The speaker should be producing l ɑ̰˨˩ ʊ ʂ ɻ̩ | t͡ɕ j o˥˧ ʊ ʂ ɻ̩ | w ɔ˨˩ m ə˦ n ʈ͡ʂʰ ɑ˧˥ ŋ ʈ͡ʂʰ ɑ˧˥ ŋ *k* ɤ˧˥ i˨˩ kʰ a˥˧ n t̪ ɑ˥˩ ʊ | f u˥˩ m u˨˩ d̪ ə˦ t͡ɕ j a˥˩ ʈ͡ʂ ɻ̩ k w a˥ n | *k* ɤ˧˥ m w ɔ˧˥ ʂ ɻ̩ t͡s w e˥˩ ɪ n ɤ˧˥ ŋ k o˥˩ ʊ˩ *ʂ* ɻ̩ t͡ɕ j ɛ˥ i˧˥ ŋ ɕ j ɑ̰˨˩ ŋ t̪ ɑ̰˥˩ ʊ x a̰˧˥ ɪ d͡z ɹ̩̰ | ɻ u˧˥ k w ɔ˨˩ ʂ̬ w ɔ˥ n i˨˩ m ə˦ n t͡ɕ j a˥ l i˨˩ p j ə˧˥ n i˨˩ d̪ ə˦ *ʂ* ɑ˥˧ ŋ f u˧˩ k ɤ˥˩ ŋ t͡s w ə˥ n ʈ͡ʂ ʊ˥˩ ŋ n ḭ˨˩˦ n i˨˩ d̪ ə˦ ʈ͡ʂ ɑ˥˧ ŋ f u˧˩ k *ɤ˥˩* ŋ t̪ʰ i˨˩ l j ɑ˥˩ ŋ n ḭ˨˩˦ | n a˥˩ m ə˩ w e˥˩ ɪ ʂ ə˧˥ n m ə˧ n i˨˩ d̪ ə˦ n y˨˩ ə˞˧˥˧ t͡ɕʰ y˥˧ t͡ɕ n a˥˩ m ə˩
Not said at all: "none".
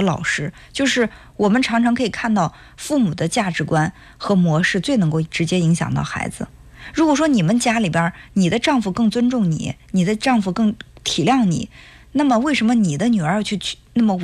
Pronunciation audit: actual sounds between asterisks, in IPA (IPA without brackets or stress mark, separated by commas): kʰ, x, ʈ͡ʂ, ʈ͡ʂ, ɤ˥˩